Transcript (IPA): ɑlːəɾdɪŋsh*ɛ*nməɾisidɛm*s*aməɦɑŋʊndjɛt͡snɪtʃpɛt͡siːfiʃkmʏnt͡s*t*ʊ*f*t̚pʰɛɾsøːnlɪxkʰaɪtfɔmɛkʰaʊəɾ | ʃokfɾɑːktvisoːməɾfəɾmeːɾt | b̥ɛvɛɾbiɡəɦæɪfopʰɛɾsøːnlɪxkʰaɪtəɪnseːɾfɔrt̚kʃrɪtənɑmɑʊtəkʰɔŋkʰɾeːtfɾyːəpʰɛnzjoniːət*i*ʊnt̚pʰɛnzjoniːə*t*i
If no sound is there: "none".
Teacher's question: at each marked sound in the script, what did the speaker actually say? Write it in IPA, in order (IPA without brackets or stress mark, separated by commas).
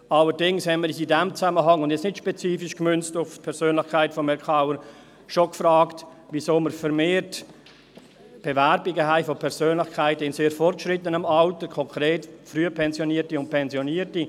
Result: ɛ, t͡s, t, f, i, t